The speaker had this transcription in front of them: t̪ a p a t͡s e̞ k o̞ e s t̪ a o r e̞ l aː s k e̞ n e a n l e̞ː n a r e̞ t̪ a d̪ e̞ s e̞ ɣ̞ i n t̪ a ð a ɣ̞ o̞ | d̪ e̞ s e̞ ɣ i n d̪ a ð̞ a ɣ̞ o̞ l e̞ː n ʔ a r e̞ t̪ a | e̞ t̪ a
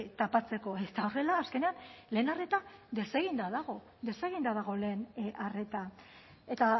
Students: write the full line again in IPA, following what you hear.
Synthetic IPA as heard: t̪ a p a t͡s e̞ k o̞ e s t̪ a o r e̞ l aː s k e̞ n e a n l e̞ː n a r e̞ t̪ a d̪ e̞ s e̞ ɣ̞ i n d̪ a ð a ɣ̞ o̞ | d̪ e̞ s e̞ ɣ i n d̪ a ð̞ a ɣ̞ o̞ l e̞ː n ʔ a r e̞ t̪ a | e̞ t̪ a